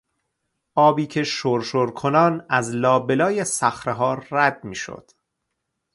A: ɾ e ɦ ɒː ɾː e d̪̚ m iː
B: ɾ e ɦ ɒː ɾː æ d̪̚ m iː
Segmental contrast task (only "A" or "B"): B